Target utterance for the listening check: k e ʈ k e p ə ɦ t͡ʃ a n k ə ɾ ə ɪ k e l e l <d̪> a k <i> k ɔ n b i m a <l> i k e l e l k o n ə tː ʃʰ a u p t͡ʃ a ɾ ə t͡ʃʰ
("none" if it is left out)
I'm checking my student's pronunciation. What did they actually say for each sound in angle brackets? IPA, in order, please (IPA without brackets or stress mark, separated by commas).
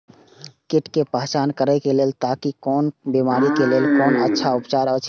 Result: t̪, i, ɾ